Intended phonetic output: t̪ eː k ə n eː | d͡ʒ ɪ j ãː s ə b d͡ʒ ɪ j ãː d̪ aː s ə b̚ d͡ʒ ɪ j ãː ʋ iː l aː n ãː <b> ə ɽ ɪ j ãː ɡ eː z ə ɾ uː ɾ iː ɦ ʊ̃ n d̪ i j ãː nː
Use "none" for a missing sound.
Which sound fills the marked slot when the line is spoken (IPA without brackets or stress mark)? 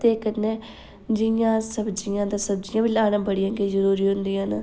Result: b